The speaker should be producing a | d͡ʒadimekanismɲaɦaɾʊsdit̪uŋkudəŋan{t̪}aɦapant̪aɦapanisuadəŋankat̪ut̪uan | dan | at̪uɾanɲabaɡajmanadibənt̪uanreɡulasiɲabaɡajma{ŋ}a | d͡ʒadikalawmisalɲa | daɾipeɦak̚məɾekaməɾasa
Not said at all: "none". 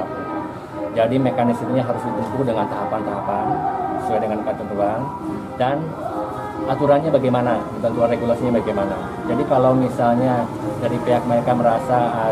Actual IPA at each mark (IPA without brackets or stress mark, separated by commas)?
t̪, n